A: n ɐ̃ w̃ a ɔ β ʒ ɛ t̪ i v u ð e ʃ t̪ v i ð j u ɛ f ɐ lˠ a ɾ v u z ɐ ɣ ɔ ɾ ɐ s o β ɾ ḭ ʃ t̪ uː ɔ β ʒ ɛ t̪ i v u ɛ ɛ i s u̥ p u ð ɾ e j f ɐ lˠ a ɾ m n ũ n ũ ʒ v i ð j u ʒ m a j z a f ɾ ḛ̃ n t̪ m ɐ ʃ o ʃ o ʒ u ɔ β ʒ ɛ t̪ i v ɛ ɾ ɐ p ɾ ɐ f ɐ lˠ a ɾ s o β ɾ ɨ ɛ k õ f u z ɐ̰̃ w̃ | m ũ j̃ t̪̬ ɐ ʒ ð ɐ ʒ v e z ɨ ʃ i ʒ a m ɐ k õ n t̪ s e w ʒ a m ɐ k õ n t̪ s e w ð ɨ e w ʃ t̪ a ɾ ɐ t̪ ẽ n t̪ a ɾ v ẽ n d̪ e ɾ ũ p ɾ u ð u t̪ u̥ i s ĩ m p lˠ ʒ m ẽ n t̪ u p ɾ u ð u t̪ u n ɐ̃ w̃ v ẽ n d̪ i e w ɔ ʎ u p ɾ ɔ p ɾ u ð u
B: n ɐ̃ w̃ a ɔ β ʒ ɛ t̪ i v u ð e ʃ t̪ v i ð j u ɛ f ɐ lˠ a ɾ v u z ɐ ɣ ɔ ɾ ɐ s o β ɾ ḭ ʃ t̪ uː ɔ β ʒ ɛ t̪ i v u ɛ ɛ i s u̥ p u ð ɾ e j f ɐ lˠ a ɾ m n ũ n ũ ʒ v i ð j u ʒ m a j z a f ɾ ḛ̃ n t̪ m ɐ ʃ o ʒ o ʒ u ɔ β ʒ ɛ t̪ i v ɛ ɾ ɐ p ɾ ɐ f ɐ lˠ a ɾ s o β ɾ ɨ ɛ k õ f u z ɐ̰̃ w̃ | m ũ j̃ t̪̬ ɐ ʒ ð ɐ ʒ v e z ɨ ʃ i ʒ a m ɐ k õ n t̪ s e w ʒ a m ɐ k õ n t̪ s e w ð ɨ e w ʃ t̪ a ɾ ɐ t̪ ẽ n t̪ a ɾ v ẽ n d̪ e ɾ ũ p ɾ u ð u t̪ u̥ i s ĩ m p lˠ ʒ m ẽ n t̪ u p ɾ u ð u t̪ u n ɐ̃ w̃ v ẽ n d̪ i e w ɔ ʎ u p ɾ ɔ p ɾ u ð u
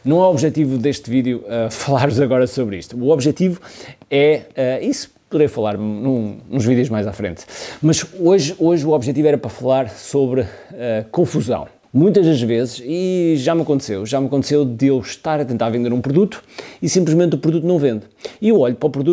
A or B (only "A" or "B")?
B